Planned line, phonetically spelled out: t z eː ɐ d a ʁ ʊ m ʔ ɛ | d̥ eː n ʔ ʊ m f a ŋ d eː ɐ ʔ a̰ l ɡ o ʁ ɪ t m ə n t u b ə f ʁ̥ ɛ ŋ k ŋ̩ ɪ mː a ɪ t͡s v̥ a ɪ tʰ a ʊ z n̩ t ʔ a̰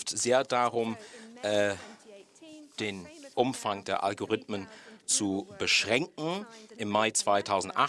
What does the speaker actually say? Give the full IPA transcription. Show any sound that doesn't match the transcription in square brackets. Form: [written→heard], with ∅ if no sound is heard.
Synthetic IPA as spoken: t z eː ɐ d a ʁ ʊ m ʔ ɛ | d̥ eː n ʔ ʊ m f a ŋ d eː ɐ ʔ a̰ l ɡ o ʁ ɪ t m ə n [t→t͡s] u b ə [f→ʃ] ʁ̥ ɛ ŋ k ŋ̩ ɪ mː a ɪ t͡s v̥ a ɪ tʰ a ʊ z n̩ t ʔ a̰